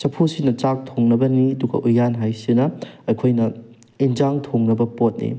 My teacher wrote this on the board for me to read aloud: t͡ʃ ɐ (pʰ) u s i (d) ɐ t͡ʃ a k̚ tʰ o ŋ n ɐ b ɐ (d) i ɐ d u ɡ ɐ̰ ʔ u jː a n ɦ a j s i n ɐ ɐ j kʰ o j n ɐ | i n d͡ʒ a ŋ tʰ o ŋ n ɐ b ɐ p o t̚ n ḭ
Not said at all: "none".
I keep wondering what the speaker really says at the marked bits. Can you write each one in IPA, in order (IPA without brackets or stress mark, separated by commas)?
pʰ, n, n